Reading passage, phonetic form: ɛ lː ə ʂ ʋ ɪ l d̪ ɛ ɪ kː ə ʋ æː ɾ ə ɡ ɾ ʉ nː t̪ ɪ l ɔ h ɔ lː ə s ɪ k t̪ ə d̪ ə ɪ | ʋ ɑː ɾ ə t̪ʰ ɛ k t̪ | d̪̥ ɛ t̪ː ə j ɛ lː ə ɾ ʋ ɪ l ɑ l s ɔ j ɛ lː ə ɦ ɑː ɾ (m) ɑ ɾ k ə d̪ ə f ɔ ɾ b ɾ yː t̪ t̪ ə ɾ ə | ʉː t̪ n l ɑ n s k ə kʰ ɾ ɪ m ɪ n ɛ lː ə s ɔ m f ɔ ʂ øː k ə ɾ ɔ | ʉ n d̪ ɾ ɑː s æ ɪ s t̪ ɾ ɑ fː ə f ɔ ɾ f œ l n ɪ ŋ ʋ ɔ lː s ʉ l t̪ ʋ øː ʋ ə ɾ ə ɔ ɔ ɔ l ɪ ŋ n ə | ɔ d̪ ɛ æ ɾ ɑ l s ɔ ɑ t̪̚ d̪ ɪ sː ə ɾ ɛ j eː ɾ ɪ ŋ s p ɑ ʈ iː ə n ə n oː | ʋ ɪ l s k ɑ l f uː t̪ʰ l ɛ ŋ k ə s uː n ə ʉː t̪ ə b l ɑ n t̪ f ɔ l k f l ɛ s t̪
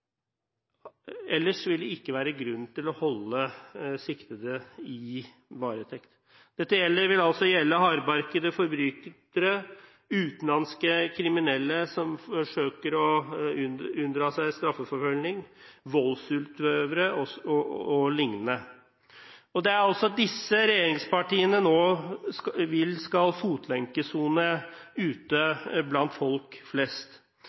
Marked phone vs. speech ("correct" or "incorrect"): incorrect